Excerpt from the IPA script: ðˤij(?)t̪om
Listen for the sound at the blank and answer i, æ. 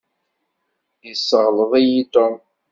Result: i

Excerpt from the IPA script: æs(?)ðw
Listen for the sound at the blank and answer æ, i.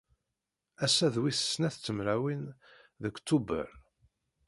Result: æ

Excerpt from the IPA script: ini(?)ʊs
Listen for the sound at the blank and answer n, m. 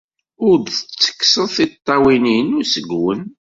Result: n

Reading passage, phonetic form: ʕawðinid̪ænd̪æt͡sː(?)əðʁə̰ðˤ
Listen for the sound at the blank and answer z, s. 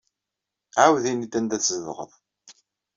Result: z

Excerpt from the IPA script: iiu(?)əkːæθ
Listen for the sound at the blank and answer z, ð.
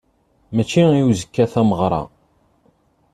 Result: z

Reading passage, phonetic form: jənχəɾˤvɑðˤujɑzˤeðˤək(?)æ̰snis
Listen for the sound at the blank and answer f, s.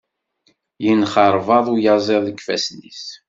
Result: f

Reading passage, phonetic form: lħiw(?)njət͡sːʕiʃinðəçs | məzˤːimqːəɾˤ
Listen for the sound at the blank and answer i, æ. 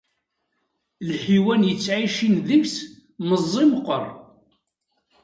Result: æ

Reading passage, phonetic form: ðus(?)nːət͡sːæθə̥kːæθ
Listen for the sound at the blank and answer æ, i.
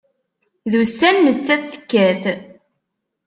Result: æ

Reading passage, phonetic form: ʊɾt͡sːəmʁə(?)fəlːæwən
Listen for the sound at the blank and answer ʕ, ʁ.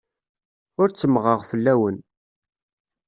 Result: ʁ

